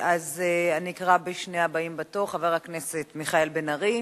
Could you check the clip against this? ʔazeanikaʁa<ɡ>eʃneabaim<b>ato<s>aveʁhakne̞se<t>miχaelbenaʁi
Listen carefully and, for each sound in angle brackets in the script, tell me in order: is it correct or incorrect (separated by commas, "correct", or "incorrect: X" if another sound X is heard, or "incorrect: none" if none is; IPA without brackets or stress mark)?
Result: incorrect: b, correct, incorrect: χ, correct